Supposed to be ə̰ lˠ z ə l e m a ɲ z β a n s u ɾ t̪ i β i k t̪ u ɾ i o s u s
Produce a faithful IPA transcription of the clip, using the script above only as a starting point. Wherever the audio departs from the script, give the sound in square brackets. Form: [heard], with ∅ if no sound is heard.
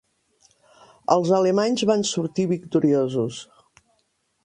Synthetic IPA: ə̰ lˠ z ə l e m a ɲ z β a n s u ɾ t̪ i β i k t̪ u ɾ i o [z] u s